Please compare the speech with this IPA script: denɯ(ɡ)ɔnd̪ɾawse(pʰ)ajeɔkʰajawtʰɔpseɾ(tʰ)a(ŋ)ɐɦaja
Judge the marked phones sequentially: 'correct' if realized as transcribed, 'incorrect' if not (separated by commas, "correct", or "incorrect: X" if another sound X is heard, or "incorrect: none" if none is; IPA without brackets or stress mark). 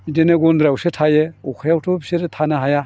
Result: correct, incorrect: tʰ, correct, incorrect: n